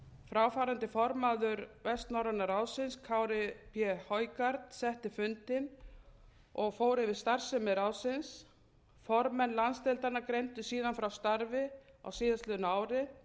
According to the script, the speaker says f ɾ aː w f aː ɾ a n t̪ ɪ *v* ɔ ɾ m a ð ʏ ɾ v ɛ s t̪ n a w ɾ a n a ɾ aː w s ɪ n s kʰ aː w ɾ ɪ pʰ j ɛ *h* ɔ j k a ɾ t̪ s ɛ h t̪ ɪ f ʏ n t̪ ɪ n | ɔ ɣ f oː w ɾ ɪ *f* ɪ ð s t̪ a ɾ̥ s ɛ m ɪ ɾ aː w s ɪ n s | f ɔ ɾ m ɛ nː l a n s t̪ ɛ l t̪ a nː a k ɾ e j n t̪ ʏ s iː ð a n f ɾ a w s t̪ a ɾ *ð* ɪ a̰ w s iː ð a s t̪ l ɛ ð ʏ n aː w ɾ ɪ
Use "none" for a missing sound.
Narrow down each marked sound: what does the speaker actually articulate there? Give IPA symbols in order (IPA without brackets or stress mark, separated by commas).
f, h, v, v